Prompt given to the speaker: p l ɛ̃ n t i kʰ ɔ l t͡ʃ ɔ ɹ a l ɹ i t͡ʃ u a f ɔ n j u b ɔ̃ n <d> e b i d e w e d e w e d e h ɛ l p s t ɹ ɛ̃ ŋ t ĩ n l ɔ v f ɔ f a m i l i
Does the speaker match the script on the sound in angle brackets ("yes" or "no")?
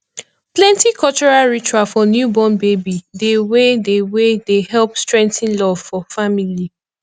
no